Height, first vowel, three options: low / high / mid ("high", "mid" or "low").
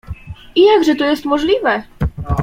high